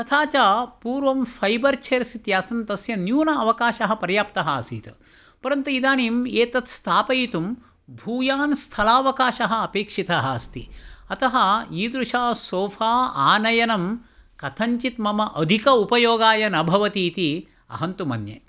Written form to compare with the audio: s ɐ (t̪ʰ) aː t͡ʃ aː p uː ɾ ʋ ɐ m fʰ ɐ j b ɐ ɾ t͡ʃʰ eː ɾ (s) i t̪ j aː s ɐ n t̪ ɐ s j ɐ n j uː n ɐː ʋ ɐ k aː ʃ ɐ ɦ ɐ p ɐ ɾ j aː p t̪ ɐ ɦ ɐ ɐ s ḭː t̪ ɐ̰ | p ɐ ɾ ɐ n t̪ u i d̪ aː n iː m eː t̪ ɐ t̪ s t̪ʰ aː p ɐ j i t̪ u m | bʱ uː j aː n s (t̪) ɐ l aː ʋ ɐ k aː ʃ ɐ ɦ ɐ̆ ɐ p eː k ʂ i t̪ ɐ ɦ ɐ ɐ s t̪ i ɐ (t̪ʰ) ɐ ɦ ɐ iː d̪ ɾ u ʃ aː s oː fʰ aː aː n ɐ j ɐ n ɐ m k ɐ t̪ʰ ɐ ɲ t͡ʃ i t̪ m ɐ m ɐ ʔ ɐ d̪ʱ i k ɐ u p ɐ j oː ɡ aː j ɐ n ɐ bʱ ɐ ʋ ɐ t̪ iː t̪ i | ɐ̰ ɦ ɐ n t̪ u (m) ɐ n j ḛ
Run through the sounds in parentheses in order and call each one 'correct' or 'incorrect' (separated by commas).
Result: correct, correct, incorrect, incorrect, correct